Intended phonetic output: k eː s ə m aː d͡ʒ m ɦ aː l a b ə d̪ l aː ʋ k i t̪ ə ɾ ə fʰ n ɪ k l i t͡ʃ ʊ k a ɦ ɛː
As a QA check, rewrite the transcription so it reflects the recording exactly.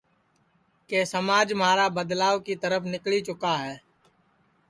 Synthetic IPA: k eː s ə m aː d͡ʒ m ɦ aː ɾ a b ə d̪ l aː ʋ k i t̪ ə ɾ ə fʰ n ɪ k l i t͡ʃ ʊ k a ɦ ɛː